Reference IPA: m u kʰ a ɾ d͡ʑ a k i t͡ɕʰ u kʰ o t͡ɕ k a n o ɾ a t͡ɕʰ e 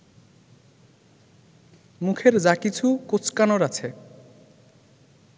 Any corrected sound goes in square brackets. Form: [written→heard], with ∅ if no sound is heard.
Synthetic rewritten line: m u kʰ [a→e] ɾ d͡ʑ a k i t͡ɕʰ u [kʰ→k] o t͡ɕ k a n o ɾ a t͡ɕʰ e